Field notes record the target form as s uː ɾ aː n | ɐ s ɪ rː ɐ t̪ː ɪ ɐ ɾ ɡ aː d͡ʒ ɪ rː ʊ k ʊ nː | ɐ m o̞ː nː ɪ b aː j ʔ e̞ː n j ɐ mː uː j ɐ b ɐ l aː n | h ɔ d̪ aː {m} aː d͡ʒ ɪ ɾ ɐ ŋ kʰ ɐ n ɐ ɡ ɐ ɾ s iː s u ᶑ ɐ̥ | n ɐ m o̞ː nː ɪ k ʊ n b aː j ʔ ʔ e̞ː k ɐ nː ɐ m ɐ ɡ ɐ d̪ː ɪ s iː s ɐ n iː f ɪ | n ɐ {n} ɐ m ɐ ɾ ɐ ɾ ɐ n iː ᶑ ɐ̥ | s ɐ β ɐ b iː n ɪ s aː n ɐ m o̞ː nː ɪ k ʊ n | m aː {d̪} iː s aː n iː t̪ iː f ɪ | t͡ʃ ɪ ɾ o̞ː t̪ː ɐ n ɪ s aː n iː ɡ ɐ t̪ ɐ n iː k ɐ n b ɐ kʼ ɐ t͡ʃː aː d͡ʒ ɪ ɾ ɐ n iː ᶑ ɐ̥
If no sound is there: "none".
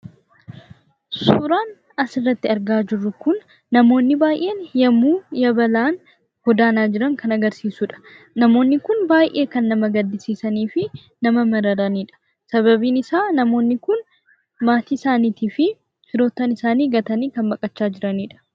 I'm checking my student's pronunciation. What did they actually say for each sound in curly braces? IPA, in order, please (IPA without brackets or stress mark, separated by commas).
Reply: n, m, t̪